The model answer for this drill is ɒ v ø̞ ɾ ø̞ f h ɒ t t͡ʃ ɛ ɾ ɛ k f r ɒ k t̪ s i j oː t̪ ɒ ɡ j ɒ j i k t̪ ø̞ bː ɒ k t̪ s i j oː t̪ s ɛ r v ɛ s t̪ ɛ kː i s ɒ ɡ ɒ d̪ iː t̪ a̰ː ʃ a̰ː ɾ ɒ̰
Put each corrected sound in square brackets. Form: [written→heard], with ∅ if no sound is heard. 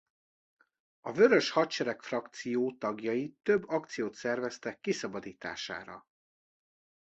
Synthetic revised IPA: ɒ v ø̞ ɾ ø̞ [f→ʃ] h ɒ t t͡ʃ ɛ ɾ ɛ k f r ɒ k t̪ s i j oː t̪ ɒ ɡ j ɒ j i [k→∅] t̪ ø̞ bː ɒ k t̪ s i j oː t̪ s ɛ r v ɛ s t̪ ɛ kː i s ɒ [ɡ→b] ɒ d̪ iː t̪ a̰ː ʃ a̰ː ɾ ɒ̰